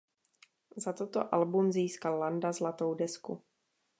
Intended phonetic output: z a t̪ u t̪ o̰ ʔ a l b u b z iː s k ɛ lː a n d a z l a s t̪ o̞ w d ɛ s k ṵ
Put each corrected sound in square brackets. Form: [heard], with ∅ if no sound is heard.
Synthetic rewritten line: z a t̪ [o] t̪ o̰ ʔ a l b u [m] z iː s k [a] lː a n d a z l a [∅] t̪ o̞ w d ɛ s k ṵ